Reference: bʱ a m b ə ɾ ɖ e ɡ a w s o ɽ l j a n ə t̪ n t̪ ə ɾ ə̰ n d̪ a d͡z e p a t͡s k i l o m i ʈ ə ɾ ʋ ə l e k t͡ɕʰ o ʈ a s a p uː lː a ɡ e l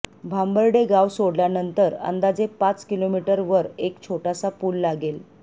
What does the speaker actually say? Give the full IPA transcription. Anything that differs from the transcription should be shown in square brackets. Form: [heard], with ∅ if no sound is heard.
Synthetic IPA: bʱ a m b ə ɾ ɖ e ɡ a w s o ɽ l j a n ə [∅] n t̪ ə ɾ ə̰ n d̪ a d͡z e p a t͡s k i l o m i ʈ ə ɾ ʋ ə [ɾ] e k t͡ɕʰ o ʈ a s a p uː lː a ɡ e l